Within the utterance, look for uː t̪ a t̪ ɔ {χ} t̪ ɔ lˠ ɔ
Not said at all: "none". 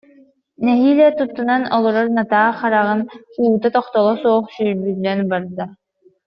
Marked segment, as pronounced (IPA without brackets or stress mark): χ